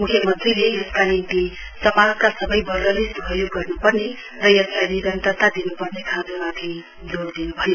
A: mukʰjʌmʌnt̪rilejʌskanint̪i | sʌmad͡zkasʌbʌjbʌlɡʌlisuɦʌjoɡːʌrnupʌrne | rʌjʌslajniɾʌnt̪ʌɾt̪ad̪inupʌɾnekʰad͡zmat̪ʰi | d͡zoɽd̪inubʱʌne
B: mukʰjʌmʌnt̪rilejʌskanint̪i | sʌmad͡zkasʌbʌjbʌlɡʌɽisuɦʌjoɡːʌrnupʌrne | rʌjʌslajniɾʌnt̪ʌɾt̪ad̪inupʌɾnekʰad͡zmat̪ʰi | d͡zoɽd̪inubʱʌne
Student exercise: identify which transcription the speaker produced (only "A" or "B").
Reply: A